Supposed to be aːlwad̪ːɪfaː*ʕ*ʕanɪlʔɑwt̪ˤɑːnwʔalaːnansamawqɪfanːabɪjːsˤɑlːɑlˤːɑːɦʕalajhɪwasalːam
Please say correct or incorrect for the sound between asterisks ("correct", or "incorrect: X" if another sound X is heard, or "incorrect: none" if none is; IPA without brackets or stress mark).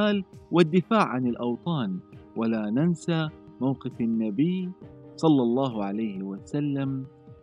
correct